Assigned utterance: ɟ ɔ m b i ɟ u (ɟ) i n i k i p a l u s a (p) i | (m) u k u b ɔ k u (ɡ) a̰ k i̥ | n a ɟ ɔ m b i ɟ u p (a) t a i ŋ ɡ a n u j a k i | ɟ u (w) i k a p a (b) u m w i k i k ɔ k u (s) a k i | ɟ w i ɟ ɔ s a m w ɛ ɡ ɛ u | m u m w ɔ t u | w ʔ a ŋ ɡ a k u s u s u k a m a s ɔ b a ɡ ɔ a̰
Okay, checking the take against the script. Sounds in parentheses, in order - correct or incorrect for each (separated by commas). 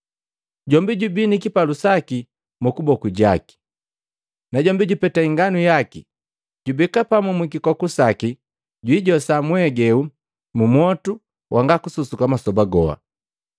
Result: incorrect, incorrect, correct, incorrect, incorrect, incorrect, incorrect, correct